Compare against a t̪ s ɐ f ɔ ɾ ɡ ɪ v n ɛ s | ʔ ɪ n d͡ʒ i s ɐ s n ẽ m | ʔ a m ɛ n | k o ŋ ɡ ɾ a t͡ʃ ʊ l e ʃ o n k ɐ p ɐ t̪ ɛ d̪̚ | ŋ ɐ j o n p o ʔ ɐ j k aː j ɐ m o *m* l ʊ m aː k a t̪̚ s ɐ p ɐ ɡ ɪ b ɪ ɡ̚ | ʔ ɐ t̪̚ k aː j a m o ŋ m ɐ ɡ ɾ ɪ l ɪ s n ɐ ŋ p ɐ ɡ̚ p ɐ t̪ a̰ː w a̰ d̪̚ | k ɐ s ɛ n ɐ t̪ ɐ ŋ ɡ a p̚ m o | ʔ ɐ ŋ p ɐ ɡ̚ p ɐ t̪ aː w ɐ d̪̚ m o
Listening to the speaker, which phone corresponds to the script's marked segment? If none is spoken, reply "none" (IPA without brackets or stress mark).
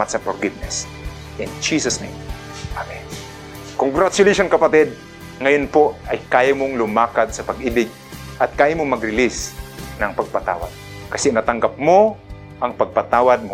ŋ